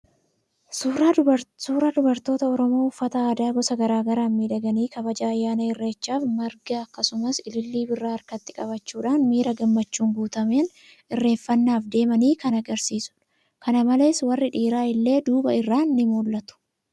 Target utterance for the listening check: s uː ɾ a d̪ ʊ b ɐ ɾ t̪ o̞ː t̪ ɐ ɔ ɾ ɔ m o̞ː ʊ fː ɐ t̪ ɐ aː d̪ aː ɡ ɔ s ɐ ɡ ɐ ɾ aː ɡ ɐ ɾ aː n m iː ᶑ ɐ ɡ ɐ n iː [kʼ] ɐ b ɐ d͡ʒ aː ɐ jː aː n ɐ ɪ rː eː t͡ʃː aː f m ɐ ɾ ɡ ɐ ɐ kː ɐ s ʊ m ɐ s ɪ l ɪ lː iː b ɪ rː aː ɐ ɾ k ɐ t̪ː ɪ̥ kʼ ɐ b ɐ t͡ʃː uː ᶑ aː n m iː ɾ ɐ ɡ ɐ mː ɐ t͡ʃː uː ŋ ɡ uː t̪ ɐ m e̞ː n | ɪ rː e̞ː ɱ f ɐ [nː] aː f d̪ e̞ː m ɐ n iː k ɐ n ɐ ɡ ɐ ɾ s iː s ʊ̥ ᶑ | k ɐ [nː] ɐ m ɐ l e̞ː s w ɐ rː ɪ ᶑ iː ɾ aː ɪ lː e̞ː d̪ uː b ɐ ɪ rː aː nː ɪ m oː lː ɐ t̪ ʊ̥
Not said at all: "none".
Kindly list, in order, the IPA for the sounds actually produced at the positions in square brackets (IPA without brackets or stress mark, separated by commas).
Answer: k, nː, n